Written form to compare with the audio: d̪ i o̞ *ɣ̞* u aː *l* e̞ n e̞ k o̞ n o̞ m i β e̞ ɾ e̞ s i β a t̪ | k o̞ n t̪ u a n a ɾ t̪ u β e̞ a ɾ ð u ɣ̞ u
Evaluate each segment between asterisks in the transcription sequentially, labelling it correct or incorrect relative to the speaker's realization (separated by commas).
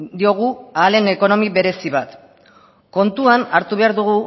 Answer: correct, correct